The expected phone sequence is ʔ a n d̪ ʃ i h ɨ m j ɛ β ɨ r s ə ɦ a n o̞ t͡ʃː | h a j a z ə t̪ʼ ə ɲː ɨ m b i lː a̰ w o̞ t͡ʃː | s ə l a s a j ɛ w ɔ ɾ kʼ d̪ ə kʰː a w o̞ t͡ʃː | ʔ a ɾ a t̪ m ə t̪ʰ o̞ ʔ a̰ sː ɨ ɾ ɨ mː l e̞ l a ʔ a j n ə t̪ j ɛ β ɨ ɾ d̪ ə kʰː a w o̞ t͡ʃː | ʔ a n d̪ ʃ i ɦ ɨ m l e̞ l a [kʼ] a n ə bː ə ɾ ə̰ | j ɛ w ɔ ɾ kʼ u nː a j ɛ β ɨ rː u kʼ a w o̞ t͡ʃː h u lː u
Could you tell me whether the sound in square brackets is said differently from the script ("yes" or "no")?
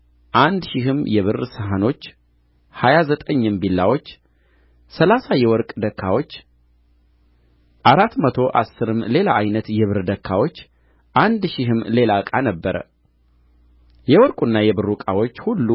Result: no